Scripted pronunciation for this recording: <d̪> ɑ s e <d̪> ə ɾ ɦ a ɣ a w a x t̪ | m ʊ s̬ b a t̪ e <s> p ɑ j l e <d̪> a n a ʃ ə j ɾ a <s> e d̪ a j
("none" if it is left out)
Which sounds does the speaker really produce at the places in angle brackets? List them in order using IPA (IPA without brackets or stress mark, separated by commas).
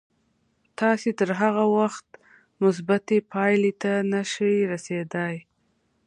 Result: t̪, t̪, none, t̪, s